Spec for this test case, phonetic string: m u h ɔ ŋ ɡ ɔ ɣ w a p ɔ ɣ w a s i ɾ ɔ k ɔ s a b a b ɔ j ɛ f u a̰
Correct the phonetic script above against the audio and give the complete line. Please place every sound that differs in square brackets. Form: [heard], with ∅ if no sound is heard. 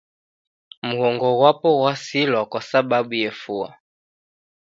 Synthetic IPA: m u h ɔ ŋ ɡ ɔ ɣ w a p ɔ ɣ w a s i [l] ɔ k ɔ s a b a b [u] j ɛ f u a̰